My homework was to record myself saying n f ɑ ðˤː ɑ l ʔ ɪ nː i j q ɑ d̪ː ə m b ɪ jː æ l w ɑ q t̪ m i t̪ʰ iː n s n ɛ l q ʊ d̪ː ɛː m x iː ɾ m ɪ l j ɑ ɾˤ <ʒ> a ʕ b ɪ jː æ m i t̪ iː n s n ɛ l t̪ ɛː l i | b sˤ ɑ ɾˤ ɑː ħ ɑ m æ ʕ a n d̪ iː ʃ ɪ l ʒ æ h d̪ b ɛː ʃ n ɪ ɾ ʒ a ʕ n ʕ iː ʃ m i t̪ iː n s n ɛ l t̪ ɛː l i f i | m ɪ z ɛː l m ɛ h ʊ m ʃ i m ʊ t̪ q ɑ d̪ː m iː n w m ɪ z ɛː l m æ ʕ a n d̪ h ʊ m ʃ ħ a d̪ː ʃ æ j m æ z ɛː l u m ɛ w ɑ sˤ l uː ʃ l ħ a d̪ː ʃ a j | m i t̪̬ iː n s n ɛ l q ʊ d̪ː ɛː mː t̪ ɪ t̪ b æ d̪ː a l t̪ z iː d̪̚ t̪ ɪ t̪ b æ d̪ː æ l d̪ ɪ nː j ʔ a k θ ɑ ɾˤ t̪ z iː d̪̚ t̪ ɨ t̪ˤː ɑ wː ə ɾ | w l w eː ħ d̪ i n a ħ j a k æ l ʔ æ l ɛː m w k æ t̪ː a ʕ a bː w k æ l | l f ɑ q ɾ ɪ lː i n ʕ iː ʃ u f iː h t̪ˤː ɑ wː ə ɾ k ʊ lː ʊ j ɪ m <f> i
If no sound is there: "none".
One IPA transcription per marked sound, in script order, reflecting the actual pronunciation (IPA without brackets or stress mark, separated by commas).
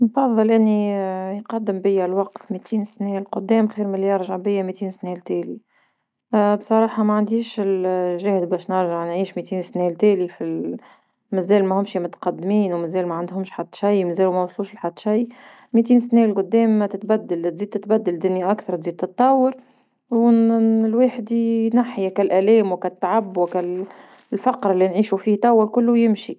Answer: ʒ, ʃ